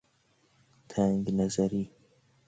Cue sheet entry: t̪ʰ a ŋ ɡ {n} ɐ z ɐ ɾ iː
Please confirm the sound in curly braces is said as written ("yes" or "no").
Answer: yes